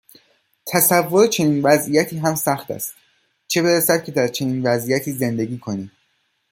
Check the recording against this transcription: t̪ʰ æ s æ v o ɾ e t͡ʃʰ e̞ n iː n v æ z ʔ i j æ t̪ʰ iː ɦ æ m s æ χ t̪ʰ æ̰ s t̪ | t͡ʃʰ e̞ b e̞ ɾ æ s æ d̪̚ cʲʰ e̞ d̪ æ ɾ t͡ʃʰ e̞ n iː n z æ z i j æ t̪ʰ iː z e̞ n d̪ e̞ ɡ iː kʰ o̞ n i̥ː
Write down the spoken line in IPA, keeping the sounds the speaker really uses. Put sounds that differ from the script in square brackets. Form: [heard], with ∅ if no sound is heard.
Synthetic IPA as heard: t̪ʰ æ s æ [vː] o ɾ e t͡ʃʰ e̞ n iː n v æ z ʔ i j æ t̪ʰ iː ɦ æ m s æ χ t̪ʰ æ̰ s t̪ | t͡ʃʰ e̞ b e̞ ɾ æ s æ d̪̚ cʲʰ e̞ d̪ æ ɾ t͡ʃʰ e̞ n iː n [v] æ z i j æ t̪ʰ iː z e̞ n d̪ e̞ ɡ iː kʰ o̞ n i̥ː

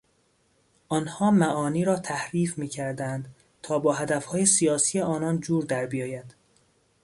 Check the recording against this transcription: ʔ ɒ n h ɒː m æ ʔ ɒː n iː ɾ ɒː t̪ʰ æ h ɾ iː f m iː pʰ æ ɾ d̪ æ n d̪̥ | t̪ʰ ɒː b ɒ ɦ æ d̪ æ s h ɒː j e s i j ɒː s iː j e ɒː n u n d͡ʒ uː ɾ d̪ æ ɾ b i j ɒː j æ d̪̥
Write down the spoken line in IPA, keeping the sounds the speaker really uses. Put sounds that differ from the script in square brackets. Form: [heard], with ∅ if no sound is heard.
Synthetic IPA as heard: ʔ ɒ n h ɒː m æ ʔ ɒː n iː ɾ ɒː t̪ʰ æ h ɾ iː f m iː [cʰ] æ ɾ d̪ æ n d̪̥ | t̪ʰ ɒː b [ɒː] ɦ æ d̪ æ [f] h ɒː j e s i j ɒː s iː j e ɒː n [ɒ] n d͡ʒ uː ɾ d̪ æ ɾ b i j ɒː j æ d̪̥

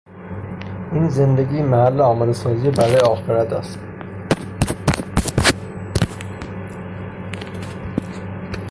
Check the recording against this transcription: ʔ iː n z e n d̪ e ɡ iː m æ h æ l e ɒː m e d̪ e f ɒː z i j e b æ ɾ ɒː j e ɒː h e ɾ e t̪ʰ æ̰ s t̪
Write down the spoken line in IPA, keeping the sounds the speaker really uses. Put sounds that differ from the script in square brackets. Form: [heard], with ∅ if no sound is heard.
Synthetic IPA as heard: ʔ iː n z e n d̪ e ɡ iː m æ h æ [lː] e ɒː m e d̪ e [s] ɒː z i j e b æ ɾ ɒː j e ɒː [x] e ɾ [æ] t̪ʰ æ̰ s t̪

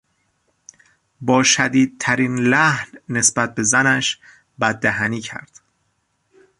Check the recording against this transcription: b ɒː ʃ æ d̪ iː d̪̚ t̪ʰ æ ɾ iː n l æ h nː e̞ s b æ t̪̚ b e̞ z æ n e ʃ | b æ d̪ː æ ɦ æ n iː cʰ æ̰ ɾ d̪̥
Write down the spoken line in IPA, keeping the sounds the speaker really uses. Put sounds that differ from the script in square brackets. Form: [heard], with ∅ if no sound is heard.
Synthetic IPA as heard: b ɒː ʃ æ d̪ iː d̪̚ t̪ʰ æ ɾ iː n l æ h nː e̞ s b æ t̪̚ b e̞ z æ n [æ] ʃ | b æ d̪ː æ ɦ æ n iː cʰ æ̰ ɾ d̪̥

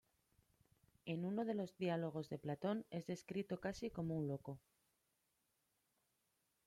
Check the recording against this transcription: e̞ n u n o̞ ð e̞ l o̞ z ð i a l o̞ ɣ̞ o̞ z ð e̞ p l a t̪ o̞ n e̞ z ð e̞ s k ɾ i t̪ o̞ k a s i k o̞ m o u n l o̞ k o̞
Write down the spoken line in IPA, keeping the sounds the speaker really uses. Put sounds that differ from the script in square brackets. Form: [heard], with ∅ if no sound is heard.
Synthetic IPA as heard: e̞ n u n o̞ ð e̞ l o̞ z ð i a l o̞ ɣ̞ o̞ z ð e̞ p l a t̪ o̞ n e̞ z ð e̞ s k ɾ i t̪ o̞ k a s i k o̞ m o u n l o̞ k o̞

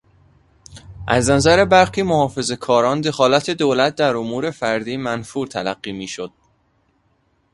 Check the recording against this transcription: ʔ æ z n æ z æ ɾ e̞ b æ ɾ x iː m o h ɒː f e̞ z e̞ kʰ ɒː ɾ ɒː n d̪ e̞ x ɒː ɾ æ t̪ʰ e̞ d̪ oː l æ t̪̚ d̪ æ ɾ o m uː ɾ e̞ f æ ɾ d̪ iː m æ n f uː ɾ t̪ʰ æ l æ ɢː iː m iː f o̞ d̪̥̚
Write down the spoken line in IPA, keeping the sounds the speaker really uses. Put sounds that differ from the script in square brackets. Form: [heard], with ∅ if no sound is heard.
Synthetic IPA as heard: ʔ æ z n æ z æ ɾ e̞ b æ ɾ x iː m o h ɒː f e̞ z e̞ kʰ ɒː ɾ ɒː n d̪ e̞ x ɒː [l] æ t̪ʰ e̞ d̪ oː l æ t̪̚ d̪ æ ɾ o m uː ɾ e̞ f æ ɾ d̪ iː m æ n f uː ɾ t̪ʰ æ l æ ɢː iː m iː [ʃ] o̞ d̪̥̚

